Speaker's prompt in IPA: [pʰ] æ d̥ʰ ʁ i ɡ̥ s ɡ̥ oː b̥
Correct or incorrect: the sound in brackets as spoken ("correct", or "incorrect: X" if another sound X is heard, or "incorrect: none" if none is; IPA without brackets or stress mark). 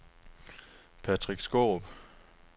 correct